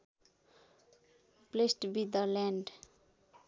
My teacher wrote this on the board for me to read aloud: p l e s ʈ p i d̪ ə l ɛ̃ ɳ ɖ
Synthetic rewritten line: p l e s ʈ b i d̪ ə l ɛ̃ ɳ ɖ